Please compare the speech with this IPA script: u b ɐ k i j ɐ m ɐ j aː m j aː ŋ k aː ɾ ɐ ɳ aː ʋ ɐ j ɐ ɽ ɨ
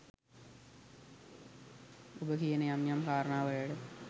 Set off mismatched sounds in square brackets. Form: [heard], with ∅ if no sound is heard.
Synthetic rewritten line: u b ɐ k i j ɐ [n] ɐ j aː m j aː [m] k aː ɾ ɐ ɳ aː ʋ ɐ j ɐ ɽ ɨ